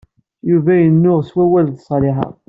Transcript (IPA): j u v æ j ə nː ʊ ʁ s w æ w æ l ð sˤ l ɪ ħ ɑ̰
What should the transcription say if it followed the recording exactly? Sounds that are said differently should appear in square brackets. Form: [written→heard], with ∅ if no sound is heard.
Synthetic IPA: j u v æ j ə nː ʊ ʁ s w æ w æ l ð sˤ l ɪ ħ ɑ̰